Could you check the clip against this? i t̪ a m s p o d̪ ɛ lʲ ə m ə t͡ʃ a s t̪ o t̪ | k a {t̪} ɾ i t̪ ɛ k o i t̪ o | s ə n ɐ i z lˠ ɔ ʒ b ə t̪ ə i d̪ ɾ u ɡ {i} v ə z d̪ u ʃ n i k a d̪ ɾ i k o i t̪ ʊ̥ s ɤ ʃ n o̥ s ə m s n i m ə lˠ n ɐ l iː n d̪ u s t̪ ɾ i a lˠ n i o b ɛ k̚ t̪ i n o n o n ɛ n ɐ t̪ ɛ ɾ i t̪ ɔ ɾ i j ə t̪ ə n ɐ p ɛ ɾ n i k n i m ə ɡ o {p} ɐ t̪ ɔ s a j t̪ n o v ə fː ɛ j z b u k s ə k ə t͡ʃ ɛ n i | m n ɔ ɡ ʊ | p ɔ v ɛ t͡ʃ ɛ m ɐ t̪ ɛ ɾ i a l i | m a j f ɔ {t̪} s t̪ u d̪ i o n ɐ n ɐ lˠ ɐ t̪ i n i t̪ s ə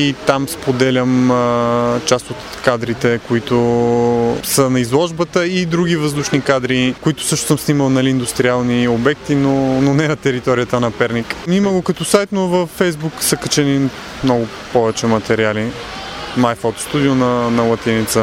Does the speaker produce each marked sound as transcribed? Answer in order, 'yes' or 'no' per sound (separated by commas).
no, yes, no, yes